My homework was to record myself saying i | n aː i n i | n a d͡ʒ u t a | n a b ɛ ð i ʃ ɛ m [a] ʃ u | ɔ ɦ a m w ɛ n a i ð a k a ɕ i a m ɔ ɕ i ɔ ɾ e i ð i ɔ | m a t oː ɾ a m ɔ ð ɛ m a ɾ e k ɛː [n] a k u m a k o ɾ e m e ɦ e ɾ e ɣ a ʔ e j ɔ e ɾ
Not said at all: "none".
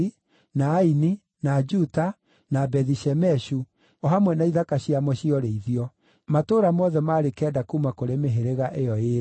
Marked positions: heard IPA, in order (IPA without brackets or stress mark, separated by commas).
ɛ, d